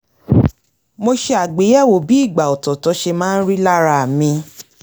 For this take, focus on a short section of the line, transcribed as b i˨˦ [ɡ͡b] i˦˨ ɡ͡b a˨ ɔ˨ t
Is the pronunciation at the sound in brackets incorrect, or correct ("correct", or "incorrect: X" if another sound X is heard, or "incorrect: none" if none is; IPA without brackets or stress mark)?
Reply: incorrect: none